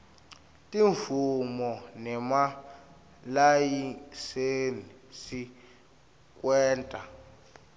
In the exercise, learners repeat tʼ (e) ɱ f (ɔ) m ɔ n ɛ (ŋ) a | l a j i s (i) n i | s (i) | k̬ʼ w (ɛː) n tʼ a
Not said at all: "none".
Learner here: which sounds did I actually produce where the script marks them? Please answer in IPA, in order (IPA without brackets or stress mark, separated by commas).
i, u, m, e, i, ɛː